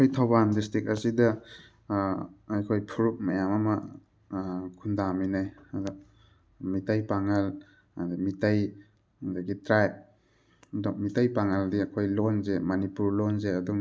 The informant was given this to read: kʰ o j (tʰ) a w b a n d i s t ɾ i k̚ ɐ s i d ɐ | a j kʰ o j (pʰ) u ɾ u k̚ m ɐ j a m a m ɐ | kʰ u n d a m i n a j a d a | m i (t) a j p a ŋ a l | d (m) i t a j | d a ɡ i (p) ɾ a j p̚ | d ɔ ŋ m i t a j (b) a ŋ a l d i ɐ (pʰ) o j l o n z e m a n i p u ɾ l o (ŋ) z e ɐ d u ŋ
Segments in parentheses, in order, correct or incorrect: correct, correct, correct, correct, incorrect, incorrect, incorrect, incorrect

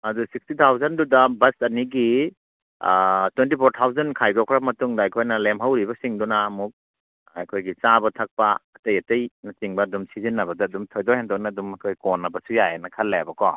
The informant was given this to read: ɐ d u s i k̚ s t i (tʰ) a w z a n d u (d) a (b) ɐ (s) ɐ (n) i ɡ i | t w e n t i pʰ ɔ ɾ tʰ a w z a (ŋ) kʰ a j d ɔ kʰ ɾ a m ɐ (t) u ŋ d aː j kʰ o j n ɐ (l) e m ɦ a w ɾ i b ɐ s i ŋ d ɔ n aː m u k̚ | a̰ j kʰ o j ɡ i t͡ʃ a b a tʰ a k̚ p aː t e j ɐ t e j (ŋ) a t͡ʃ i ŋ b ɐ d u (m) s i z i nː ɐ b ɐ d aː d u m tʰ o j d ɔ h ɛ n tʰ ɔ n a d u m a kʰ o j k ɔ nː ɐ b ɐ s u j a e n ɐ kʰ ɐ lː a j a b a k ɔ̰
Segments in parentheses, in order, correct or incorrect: correct, correct, correct, correct, correct, incorrect, correct, correct, incorrect, correct

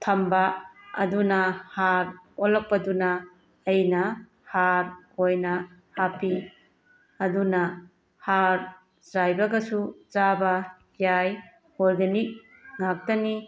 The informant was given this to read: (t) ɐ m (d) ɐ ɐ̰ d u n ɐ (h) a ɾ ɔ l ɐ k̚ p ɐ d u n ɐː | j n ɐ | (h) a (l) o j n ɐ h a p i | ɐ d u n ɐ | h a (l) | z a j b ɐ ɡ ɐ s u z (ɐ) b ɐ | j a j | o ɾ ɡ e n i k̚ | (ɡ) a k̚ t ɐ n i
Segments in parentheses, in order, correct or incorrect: incorrect, incorrect, correct, correct, incorrect, incorrect, incorrect, incorrect

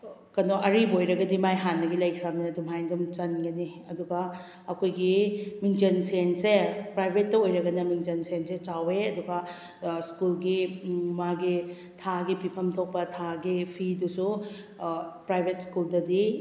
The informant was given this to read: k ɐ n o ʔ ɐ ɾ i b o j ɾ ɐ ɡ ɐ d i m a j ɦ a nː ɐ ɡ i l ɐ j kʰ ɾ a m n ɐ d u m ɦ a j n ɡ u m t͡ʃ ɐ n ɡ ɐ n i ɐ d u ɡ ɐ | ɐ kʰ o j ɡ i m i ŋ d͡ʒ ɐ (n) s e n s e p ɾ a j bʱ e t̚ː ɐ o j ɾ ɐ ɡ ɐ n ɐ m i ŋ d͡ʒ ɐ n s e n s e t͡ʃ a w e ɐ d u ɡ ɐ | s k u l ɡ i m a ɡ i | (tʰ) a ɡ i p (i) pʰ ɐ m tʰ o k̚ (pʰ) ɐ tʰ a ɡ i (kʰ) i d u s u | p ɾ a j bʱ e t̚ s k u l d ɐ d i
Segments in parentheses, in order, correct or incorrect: correct, correct, correct, incorrect, incorrect

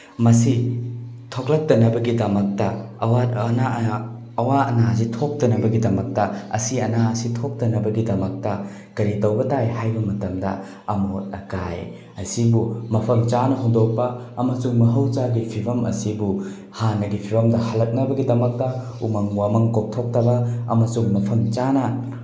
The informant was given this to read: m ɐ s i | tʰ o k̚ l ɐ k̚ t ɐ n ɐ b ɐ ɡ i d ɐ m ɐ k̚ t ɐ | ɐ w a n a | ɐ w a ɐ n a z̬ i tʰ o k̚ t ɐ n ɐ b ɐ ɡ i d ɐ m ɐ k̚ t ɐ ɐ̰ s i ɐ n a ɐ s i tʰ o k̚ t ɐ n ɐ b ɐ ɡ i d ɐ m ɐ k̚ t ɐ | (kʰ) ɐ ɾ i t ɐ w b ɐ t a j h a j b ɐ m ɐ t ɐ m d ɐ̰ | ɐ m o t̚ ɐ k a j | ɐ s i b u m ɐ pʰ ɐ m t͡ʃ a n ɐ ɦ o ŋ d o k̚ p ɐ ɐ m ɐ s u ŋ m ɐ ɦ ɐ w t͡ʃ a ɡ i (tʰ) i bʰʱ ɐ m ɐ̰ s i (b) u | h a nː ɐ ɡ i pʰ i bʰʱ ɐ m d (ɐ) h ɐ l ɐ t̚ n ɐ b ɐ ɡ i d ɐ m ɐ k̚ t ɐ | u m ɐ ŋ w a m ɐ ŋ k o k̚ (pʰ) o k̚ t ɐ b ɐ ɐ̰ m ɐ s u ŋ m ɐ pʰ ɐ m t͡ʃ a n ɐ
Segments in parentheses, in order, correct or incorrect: incorrect, incorrect, correct, correct, incorrect

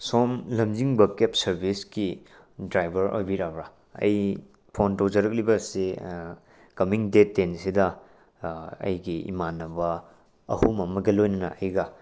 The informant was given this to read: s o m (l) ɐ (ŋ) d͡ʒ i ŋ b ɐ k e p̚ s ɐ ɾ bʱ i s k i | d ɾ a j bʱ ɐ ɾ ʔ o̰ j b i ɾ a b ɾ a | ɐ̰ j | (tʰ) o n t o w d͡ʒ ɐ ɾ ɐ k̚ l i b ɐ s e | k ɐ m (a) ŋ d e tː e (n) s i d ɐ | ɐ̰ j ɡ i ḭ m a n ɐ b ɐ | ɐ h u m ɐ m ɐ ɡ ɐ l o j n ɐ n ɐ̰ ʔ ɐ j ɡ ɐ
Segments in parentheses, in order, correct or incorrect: correct, incorrect, incorrect, incorrect, correct

